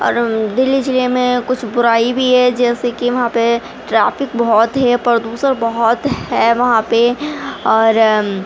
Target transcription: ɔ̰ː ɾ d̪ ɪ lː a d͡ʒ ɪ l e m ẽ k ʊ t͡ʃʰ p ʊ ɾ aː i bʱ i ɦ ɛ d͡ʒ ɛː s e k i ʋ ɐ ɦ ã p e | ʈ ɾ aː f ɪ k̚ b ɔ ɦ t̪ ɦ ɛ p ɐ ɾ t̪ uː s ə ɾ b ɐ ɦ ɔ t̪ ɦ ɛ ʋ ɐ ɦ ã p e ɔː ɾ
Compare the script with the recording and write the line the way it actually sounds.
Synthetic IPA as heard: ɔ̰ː ɾ d̪ ɪ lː i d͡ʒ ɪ l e m ẽ k ʊ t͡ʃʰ b ʊ ɾ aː i bʱ i ɦ ɛ d͡ʒ ɛː s e k i ʋ ɐ ɦ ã p e | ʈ ɾ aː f ɪ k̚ b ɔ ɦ t̪ ɦ ɛ p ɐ ɾ d̪ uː s ə ɾ b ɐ ɦ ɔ t̪ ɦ ɛ ʋ ɐ ɦ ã p e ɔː ɾ